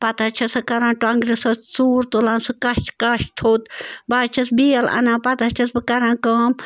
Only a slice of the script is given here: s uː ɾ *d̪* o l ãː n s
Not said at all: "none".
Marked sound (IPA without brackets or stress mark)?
t̪